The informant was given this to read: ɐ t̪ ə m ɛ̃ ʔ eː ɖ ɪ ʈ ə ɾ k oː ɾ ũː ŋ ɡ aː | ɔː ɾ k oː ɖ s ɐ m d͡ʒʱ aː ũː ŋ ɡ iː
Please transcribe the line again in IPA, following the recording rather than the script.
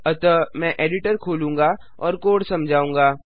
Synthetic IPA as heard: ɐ t̪ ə m ɛ̃ ʔ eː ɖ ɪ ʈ ə ɾ kʰ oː l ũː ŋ ɡ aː | ɔː ɾ k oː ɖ s ɐ m d͡ʒʱ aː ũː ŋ ɡ aː